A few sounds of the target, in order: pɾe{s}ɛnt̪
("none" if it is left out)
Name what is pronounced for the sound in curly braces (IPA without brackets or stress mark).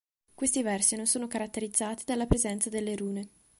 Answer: z